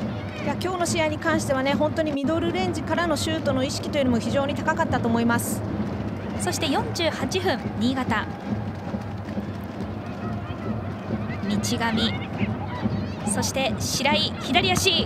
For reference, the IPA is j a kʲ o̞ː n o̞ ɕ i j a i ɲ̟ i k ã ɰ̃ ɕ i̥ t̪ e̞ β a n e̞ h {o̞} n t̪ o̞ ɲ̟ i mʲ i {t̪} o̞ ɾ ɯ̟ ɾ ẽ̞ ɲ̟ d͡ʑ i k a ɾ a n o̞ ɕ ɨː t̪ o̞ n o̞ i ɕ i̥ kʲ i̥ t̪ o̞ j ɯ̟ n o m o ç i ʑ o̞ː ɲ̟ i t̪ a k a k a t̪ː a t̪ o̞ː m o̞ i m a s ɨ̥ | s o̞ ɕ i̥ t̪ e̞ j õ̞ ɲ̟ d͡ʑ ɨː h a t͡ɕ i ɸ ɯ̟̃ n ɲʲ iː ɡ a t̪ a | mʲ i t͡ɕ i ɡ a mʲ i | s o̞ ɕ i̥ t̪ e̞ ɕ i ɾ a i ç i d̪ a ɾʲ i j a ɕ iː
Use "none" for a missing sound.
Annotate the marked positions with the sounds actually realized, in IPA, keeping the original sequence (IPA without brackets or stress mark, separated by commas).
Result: õ̞, d̪